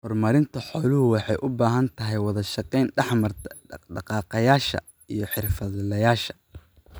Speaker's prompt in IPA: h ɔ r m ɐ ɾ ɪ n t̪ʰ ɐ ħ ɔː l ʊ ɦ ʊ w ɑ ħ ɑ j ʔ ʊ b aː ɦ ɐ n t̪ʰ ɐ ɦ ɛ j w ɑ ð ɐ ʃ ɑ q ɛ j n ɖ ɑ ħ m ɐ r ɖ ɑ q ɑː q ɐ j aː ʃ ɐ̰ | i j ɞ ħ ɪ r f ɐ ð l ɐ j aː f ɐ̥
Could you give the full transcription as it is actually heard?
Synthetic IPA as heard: h ɔ r m ɐ ɾ ɪ n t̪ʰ ɐ ħ ɔː l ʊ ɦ ʊ w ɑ ħ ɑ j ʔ ʊ b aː ɦ ɐ n t̪ʰ ɐ ɦ ɛ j w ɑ ð ɐ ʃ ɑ q ɛ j n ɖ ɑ ħ m ɐ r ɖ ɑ q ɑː q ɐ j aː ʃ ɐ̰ | i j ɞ ħ ɪ r f ɐ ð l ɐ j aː ʃ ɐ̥